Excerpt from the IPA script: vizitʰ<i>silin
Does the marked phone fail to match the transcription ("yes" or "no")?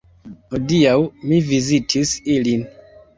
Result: no